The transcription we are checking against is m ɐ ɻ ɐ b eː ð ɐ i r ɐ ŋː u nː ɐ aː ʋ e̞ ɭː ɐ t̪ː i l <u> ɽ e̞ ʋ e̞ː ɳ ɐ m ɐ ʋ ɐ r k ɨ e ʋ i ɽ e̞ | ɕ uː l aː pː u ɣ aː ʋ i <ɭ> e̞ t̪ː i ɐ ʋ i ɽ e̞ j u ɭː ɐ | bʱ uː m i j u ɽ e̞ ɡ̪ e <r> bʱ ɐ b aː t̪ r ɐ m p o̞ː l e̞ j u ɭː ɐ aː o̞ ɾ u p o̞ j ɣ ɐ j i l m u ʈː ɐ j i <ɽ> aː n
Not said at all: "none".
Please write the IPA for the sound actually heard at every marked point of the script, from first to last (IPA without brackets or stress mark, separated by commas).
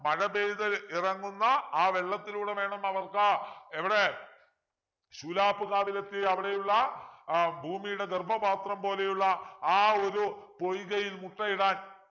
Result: uː, l, r, ɽ